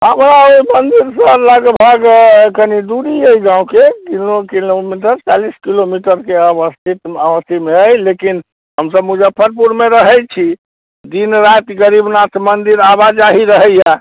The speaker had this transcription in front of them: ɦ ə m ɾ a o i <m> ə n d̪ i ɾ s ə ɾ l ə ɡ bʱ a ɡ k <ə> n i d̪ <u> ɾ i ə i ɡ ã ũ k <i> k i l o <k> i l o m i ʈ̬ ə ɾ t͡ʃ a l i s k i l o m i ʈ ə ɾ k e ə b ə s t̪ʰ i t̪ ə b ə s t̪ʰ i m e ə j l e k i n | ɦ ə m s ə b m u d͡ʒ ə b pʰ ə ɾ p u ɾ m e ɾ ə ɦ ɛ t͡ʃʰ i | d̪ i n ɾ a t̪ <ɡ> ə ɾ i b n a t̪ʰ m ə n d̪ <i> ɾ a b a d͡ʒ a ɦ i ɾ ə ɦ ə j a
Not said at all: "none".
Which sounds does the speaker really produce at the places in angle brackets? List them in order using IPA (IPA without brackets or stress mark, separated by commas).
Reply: m, ə, u, e, k, ɡ, i